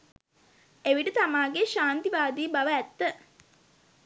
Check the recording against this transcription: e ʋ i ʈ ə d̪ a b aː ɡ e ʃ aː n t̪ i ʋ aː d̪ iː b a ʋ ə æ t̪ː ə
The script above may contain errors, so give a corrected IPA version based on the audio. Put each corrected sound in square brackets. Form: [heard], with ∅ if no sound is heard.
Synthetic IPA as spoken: e ʋ i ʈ ə [t̪] a [m] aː ɡ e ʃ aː n t̪ i ʋ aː d̪ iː b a ʋ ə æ t̪ː ə